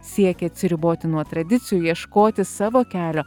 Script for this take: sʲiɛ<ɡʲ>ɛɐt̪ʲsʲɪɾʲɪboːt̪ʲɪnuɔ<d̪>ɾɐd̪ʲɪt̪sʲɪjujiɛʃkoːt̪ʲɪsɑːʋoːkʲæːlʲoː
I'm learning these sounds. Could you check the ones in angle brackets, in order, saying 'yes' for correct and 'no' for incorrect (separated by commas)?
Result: no, no